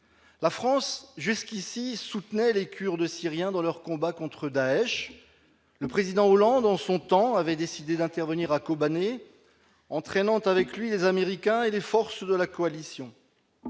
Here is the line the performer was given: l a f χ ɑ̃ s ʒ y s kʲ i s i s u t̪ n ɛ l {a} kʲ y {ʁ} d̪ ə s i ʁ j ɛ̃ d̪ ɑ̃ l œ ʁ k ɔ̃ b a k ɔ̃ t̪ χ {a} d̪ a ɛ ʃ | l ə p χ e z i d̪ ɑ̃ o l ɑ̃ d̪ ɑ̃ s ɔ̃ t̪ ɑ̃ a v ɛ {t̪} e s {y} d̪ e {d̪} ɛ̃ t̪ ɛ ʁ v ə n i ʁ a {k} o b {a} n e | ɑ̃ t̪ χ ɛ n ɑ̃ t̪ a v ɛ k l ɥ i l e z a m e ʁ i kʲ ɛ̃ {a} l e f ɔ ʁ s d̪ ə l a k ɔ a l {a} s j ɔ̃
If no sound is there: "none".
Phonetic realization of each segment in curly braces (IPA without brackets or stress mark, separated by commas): e, ʁ, ə, d̪, i, d̪, k, a, e, i